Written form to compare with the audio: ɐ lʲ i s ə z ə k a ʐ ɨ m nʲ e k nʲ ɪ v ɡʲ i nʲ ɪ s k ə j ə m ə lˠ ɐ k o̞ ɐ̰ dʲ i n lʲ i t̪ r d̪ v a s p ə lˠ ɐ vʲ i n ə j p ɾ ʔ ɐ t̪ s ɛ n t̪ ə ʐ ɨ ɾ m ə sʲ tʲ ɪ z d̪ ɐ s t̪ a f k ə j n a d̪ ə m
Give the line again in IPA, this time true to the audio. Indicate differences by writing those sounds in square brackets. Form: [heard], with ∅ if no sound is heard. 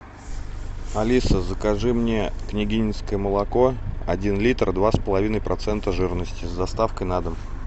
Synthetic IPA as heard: ɐ lʲ i s ə z ə k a ʐ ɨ m nʲ e k nʲ ɪ [∅] ɡʲ i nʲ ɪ s k ə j ə m ə lˠ ɐ k o̞ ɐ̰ dʲ i n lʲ i t̪ r d̪ v a s p ə lˠ ɐ vʲ i n ə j p ɾ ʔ ɐ t̪ s ɛ n t̪ ə ʐ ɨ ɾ [n] ə sʲ tʲ ɪ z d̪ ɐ s t̪ a f k ə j n a d̪ ə m